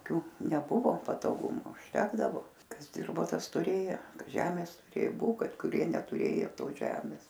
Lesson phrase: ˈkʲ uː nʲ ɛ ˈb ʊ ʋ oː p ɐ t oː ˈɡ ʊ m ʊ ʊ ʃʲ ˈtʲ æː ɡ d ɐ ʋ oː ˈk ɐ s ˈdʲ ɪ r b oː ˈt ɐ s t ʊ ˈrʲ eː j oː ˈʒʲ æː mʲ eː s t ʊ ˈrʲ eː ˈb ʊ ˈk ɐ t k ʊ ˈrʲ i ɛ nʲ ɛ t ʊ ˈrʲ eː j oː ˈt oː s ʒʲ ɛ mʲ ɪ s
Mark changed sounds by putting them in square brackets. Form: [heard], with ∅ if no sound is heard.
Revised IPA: ˈkʲ uː nʲ ɛ ˈb ʊ ʋ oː p ɐ t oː ˈɡ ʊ m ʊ ʊ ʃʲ ˈtʲ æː ɡ d ɐ ʋ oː ˈk ɐ s ˈdʲ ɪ r b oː ˈt ɐ s t ʊ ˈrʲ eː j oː ˈʒʲ æː mʲ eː s t ʊ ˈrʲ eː ˈb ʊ ˈk ɐ t k ʊ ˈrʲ i ɛ nʲ ɛ t ʊ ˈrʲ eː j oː ˈt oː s ʒʲ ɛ mʲ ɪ s

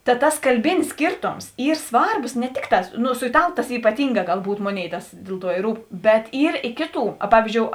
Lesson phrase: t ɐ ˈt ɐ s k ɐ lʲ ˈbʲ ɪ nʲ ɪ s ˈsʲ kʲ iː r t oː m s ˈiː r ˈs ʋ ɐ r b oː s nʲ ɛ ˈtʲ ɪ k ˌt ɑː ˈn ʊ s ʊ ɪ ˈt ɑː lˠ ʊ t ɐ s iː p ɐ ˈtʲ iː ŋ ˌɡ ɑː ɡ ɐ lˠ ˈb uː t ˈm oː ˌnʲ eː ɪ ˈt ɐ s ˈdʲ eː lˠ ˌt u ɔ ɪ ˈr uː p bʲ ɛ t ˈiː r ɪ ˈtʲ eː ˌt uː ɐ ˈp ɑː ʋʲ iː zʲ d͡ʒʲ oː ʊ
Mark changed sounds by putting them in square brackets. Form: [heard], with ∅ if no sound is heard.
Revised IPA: t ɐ ˈt ɐ s k ɐ lʲ ˈbʲ ɪ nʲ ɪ s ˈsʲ kʲ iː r t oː m s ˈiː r ˈs ʋ ɐ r b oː s nʲ ɛ ˈtʲ ɪ k ˌt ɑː ˈn ʊ s ʊ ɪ ˈt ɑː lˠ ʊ t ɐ s iː p ɐ ˈtʲ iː ŋ ˌɡ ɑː ɡ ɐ lˠ ˈb uː t ˈm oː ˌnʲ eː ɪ ˈt ɐ s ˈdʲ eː lˠ ˌt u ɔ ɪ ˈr uː p bʲ ɛ t ˈiː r ɪ [ˈkʲ] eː ˌt uː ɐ ˈp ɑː ʋʲ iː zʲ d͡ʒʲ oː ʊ

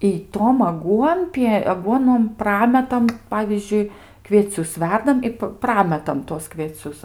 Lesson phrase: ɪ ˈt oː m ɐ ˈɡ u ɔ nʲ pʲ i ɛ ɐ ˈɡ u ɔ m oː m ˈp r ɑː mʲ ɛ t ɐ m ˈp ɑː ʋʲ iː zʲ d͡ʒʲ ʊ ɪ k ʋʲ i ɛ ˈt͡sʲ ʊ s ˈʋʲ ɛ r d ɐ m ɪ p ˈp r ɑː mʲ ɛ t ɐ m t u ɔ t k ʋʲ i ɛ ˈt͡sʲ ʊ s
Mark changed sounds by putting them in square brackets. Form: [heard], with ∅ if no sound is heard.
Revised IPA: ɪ ˈt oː m ɐ ˈɡ u ɔ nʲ pʲ i ɛ ɐ ˈɡ u ɔ [n] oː m ˈp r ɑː mʲ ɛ t ɐ m ˈp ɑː ʋʲ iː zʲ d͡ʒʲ ʊ ɪ k ʋʲ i ɛ ˈt͡sʲ ʊ s ˈʋʲ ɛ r d ɐ m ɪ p ˈp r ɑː mʲ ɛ t ɐ m t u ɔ [s] k ʋʲ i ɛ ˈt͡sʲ ʊ s

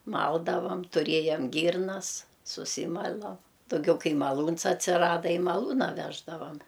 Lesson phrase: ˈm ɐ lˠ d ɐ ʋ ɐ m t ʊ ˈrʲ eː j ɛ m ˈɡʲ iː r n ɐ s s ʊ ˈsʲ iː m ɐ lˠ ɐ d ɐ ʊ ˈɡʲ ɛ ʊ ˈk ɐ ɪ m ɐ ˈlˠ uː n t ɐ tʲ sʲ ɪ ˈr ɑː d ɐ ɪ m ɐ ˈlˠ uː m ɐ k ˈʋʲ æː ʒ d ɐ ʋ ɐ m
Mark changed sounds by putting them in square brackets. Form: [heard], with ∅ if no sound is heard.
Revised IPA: ˈm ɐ lˠ d ɐ ʋ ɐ m t ʊ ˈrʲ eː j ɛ m ˈɡʲ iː r n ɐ s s ʊ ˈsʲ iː m ɐ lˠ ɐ d ɐ ʊ ˈɡʲ ɛ ʊ ˈk ɐ ɪ m ɐ ˈlˠ uː n [s] ɐ tʲ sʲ ɪ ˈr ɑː d ɐ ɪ m ɐ ˈlˠ uː [n] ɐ [∅] ˈʋʲ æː ʒ d ɐ ʋ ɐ m

